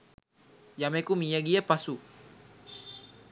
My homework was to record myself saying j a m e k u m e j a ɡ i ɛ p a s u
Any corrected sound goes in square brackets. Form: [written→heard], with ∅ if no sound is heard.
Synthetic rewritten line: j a m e k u m [e→i] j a ɡ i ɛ p a s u